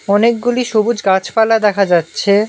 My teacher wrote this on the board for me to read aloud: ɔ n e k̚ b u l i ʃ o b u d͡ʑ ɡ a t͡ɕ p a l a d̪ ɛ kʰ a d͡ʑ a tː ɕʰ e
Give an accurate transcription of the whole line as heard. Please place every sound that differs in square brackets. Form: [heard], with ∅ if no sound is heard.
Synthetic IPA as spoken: ɔ n e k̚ [ɡ] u l i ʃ o b u d͡ʑ ɡ a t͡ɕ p a l a d̪ ɛ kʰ a d͡ʑ a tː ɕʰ e